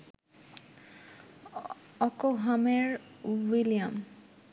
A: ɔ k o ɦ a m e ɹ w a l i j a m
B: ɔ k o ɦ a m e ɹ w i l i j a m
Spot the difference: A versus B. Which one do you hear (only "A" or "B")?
B